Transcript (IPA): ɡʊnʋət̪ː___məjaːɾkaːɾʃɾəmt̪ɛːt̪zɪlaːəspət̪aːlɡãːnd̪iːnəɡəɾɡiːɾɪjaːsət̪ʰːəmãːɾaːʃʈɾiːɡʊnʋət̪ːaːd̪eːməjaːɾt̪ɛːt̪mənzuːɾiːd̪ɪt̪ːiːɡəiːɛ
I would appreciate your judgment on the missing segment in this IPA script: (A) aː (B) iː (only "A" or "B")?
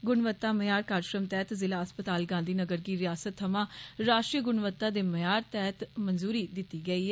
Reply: A